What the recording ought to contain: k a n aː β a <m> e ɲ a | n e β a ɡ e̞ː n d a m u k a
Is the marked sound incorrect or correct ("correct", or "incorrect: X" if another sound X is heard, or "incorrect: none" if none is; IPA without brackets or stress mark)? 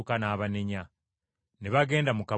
incorrect: n